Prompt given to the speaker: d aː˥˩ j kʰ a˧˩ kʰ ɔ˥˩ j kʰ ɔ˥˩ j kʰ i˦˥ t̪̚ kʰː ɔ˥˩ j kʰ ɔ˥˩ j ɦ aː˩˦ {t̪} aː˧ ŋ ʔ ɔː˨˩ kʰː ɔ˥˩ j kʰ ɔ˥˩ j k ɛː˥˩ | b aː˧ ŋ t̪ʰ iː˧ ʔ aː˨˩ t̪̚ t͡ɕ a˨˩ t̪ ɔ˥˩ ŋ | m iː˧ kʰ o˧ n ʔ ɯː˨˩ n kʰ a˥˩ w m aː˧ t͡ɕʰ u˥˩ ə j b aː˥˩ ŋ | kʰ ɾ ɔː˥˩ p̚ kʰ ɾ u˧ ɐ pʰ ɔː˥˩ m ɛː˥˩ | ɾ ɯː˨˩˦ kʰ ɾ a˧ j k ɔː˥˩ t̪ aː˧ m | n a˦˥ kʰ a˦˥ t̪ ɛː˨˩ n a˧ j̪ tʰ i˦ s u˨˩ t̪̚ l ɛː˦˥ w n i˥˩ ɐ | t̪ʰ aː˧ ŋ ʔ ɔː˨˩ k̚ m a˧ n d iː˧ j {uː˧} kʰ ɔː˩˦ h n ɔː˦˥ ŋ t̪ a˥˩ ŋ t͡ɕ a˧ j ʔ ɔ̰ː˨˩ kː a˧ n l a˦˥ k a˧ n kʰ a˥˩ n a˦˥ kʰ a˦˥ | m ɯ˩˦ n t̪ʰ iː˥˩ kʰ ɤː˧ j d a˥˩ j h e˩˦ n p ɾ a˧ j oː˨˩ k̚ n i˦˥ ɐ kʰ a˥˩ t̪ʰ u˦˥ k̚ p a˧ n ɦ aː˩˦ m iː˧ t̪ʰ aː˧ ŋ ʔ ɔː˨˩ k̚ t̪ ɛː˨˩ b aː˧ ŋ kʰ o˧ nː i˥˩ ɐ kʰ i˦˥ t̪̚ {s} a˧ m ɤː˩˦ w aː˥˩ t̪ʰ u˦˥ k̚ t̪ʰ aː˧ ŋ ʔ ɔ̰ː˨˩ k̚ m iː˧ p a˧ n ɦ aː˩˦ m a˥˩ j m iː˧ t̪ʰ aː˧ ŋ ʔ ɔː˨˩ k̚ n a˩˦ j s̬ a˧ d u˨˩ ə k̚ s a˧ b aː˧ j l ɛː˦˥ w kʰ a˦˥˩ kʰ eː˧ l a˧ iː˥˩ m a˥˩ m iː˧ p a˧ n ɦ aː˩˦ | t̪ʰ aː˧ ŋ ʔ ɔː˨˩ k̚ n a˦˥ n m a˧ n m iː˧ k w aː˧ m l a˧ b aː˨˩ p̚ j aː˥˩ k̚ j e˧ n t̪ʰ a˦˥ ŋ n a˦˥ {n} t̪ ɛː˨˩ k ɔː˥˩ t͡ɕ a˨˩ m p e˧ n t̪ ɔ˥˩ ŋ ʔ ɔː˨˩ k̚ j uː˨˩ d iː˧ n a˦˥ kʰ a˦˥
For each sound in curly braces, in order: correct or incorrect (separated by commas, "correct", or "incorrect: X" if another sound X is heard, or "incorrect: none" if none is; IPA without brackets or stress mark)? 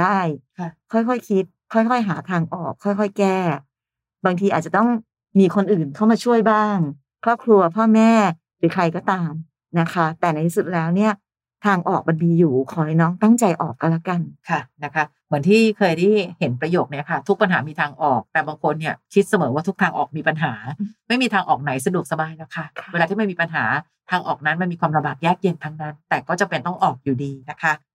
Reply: incorrect: t̪ʰ, incorrect: uː˨˩, correct, correct